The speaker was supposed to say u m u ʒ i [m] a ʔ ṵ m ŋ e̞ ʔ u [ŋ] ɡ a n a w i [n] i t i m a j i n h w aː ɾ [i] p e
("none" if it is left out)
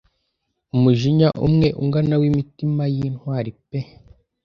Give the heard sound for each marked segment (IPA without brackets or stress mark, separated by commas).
ɲ, ŋ, m, i